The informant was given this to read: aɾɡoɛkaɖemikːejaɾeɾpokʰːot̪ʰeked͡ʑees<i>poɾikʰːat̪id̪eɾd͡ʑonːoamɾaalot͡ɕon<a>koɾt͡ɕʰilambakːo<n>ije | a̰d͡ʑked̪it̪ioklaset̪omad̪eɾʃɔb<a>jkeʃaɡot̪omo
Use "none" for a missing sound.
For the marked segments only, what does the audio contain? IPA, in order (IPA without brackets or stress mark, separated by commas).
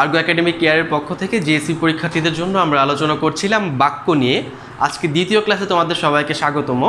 i, a, n, a